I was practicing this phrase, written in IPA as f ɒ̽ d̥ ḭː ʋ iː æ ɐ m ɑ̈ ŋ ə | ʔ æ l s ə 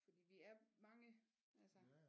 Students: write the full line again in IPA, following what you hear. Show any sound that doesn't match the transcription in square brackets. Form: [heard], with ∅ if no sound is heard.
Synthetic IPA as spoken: f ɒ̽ d̥ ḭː ʋ [i] æ ɐ m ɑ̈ ŋ ə | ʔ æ l s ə